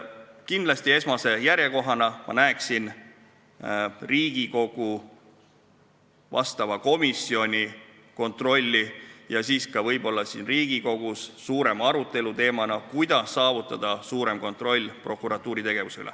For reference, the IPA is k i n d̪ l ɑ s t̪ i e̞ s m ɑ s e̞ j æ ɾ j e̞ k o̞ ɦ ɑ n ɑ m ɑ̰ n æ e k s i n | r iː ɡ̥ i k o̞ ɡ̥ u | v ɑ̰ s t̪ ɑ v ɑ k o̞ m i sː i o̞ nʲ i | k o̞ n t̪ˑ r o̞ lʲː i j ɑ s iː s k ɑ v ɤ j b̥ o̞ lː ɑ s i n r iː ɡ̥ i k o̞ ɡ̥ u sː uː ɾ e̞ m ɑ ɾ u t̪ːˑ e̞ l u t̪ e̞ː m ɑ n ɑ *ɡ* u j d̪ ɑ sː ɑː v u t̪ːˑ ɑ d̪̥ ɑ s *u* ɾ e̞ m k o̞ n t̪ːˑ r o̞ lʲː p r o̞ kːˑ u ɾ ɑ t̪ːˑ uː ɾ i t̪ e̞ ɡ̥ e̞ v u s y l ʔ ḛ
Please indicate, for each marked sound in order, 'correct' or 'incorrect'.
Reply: incorrect: k, incorrect: uː

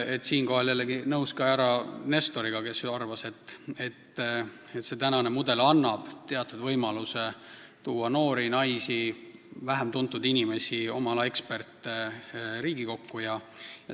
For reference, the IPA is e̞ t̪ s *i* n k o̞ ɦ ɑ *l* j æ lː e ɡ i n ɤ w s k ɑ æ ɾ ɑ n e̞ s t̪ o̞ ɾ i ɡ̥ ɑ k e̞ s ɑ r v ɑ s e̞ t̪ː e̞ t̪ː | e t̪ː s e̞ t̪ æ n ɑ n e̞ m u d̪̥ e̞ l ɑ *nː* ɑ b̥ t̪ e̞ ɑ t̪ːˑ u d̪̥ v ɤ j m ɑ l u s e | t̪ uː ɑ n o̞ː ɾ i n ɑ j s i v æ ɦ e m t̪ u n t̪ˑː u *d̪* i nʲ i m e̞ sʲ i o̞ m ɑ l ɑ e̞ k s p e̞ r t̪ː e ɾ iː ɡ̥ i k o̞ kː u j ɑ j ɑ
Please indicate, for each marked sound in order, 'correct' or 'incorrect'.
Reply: incorrect: iː, correct, correct, correct

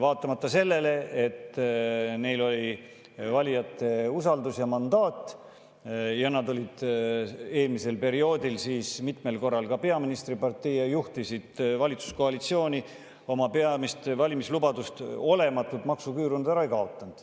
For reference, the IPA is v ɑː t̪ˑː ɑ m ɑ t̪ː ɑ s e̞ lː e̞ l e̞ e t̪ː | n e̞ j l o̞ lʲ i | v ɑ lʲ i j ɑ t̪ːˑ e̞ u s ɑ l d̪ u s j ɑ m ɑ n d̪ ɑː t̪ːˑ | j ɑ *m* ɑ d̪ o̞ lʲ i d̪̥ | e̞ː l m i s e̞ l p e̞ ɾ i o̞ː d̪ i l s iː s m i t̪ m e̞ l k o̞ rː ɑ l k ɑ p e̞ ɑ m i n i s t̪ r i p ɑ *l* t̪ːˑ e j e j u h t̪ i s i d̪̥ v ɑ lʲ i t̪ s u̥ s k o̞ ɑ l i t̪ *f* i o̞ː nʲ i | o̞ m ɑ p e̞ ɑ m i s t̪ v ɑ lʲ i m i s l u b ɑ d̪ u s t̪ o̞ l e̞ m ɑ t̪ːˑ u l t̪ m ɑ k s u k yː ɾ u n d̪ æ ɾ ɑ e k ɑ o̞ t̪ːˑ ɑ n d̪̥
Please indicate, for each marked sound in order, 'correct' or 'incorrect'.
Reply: incorrect: n, incorrect: r, incorrect: s

